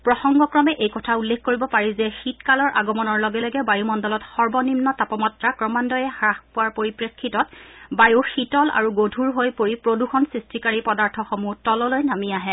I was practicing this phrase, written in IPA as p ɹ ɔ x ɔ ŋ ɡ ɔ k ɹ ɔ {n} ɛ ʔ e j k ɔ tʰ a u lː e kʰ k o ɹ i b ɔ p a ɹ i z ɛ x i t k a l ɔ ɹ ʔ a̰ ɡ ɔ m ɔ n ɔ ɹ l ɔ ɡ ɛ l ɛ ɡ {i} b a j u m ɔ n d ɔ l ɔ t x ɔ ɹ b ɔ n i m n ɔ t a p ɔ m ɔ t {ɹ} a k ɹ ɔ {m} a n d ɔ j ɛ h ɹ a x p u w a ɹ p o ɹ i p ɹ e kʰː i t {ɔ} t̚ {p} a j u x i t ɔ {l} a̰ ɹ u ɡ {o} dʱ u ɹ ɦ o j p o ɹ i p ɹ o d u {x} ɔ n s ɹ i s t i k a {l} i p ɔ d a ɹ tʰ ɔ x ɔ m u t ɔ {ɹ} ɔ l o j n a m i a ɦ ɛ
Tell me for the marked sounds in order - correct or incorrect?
incorrect, incorrect, correct, correct, correct, incorrect, correct, correct, correct, incorrect, incorrect

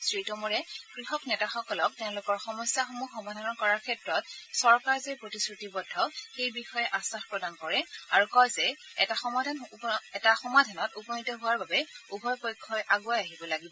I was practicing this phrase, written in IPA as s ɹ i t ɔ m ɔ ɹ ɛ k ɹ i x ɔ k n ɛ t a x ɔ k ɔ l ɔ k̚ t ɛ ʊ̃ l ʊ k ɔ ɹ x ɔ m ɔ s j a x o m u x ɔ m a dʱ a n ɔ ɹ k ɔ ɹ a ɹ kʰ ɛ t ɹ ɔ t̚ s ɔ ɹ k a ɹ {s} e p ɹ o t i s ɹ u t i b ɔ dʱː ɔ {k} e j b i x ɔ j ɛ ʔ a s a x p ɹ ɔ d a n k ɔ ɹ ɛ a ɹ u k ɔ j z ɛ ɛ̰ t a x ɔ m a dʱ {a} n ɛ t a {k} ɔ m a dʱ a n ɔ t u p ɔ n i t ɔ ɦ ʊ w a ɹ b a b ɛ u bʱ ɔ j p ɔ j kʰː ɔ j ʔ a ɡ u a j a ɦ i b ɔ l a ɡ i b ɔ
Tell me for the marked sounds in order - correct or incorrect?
incorrect, incorrect, correct, incorrect

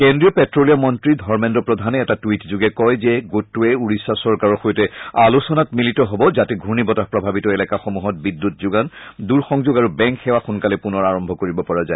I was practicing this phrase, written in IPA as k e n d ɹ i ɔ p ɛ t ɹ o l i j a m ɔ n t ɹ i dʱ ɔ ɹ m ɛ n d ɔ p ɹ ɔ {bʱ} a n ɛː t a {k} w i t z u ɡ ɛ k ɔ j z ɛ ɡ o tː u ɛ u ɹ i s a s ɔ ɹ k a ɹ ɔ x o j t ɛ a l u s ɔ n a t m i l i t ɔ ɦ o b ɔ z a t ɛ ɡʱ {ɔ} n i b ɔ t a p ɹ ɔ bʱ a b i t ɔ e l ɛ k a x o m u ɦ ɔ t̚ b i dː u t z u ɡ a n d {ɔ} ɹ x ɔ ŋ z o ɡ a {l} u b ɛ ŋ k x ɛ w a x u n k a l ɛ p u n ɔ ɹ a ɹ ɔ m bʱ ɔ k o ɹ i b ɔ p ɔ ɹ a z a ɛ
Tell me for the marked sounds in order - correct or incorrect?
incorrect, incorrect, incorrect, incorrect, incorrect

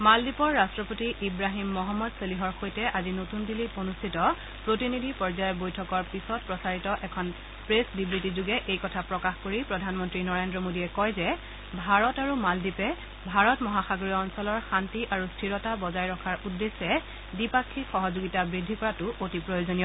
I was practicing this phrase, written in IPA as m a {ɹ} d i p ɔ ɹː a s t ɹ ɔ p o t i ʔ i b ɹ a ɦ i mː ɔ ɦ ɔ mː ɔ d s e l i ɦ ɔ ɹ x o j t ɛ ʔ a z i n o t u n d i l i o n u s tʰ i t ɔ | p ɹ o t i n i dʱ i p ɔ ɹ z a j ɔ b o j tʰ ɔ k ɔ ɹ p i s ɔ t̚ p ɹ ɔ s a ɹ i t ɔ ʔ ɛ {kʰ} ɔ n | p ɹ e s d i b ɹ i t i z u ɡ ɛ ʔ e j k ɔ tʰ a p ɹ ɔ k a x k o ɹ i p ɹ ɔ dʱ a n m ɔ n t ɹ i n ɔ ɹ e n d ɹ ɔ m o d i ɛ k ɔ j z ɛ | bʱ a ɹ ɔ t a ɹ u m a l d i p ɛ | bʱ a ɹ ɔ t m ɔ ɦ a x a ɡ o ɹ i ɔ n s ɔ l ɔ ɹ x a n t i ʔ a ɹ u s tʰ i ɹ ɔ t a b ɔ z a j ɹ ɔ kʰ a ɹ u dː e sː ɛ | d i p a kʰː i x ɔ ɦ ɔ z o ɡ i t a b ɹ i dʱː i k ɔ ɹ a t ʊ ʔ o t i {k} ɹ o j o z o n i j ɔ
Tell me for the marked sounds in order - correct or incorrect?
incorrect, correct, incorrect

